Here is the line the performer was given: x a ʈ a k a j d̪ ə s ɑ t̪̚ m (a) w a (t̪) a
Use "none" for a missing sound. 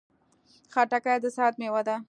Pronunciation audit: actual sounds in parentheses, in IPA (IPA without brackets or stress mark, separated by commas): e, d̪